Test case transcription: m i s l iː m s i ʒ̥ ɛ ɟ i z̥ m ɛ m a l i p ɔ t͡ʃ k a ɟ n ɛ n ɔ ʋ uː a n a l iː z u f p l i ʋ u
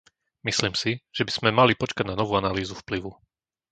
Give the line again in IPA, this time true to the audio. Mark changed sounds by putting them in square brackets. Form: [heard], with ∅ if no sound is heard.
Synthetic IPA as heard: m i s l iː m s i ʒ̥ ɛ [b] i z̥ m ɛ m a l i p ɔ t͡ʃ k a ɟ n [a] n ɔ ʋ uː a n a l iː z u f p l i ʋ u